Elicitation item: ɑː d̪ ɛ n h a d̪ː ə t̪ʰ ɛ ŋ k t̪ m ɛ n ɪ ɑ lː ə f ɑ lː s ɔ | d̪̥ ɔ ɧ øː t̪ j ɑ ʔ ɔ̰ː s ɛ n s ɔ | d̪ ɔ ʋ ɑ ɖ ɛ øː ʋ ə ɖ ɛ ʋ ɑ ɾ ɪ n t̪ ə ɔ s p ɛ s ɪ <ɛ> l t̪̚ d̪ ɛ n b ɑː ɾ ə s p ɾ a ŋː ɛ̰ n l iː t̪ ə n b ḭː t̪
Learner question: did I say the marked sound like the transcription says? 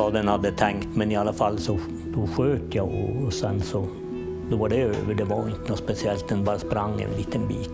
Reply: yes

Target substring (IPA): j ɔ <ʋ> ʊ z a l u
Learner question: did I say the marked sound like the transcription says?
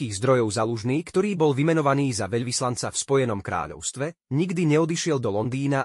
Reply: no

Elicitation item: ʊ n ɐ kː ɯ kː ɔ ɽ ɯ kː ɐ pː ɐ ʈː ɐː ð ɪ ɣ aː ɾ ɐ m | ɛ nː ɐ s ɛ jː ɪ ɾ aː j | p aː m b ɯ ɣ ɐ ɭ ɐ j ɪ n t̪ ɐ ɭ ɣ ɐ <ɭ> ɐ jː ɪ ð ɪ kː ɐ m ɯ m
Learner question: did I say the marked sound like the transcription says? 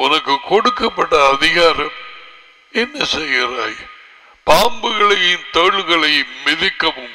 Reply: yes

